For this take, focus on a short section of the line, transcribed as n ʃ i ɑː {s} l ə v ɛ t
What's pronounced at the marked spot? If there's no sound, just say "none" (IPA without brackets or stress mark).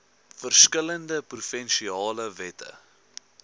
none